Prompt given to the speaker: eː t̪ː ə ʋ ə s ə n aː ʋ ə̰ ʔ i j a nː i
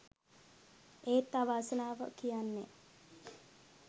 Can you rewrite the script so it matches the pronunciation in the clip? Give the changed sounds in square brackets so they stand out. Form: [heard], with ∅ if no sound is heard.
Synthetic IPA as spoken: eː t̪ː [a] ʋ [a] s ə n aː ʋ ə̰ [k] i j a nː [e]